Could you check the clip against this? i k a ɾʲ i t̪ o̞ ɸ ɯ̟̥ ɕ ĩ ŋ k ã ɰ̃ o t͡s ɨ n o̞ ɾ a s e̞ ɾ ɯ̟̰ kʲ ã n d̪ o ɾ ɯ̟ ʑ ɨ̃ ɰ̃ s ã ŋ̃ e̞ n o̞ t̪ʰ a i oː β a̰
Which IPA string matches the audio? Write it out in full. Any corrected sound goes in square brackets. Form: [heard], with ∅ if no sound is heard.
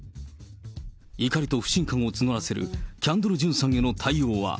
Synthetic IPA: i k a ɾʲ i t̪ o̞ ɸ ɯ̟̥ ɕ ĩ ŋ k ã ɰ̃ o t͡s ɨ n o̞ ɾ a s e̞ ɾ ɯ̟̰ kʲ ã n d̪ o ɾ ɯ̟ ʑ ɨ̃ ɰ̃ s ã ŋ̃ e̞ n o̞ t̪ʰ a i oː β a̰